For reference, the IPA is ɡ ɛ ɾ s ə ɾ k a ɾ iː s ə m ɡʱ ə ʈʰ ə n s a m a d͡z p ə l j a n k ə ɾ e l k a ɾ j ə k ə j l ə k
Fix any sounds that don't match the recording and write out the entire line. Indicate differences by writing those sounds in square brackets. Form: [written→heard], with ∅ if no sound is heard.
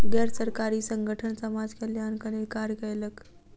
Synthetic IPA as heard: ɡ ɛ ɾ s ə ɾ k a ɾ iː s ə [m→ŋ] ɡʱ ə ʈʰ ə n s [a→ə] m a d͡z [p→k] ə l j a n k ə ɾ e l k a ɾ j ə k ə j l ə k